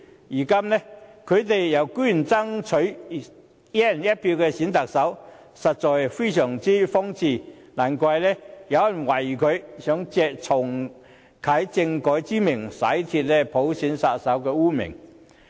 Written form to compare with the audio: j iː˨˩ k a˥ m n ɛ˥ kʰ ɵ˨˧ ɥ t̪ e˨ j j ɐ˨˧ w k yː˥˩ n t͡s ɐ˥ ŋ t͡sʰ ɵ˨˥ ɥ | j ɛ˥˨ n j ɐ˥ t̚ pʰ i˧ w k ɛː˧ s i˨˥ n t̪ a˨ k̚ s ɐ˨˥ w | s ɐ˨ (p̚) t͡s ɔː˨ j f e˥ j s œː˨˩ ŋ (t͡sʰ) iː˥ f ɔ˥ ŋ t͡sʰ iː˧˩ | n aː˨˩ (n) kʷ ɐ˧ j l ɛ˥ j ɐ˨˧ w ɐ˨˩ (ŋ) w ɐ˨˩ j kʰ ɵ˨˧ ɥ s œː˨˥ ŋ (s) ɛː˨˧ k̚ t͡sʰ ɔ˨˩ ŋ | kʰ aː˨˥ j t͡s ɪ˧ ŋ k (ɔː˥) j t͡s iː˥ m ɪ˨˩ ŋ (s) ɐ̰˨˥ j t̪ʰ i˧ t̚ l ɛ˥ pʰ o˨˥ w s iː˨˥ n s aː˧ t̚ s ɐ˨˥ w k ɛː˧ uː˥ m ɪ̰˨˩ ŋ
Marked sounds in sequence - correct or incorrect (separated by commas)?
incorrect, incorrect, correct, incorrect, incorrect, incorrect, correct